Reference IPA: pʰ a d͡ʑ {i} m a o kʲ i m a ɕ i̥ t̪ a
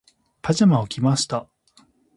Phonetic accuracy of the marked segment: incorrect: a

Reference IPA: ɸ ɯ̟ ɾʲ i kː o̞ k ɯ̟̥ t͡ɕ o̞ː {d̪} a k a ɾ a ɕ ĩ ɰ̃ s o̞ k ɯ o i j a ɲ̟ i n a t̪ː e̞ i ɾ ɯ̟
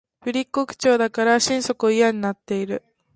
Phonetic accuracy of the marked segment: correct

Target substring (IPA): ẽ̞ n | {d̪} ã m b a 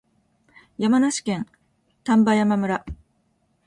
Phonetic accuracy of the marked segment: incorrect: t̪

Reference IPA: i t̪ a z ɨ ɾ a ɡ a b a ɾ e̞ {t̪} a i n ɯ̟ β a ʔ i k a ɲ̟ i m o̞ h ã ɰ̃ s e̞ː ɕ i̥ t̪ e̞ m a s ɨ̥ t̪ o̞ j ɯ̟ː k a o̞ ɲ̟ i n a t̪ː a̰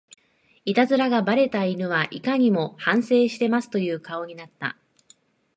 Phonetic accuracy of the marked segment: correct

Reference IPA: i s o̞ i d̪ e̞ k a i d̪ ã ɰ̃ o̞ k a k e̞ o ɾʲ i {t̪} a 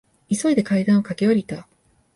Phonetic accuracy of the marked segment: correct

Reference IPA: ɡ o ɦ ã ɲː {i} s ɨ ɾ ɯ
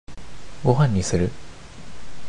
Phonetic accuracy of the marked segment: correct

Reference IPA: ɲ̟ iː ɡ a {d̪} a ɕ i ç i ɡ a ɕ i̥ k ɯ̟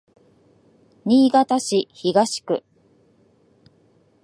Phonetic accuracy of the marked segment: incorrect: t̪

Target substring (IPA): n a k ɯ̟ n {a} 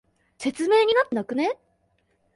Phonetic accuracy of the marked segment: incorrect: e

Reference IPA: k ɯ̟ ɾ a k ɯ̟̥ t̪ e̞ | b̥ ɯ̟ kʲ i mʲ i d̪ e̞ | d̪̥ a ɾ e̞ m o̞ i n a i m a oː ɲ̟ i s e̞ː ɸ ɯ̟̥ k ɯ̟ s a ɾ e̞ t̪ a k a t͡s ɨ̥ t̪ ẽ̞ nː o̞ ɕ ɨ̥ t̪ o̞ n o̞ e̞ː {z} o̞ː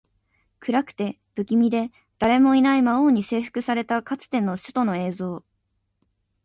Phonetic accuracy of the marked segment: correct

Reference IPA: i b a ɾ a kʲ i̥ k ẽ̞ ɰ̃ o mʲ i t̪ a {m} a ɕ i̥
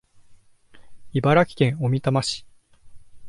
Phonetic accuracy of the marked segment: correct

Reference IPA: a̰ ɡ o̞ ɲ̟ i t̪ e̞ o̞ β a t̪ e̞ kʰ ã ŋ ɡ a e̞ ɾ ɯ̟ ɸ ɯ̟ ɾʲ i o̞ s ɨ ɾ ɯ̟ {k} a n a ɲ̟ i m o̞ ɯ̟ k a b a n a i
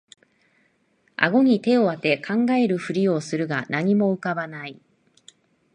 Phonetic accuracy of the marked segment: incorrect: ɡ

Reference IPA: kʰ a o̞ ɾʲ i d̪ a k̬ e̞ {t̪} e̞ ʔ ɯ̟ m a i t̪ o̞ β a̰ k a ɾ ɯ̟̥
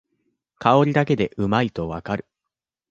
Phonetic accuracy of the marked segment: incorrect: d̪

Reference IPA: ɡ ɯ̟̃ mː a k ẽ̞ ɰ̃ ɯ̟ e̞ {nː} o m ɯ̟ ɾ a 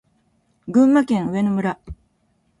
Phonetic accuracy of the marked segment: incorrect: n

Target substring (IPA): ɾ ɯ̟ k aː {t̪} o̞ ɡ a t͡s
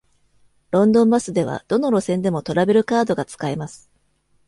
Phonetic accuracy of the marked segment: incorrect: d̪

